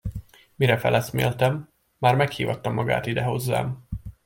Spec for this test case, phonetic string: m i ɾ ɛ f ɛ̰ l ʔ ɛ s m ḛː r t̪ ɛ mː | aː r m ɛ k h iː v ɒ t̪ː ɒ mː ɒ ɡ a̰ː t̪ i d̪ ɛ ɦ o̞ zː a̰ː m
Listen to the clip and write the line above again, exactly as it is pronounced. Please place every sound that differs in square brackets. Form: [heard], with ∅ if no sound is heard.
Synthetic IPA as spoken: m i ɾ ɛ f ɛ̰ l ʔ ɛ s m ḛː [l] t̪ ɛ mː | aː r m ɛ k h iː v ɒ t̪ː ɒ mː ɒ ɡ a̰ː t̪ i d̪ ɛ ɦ o̞ zː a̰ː m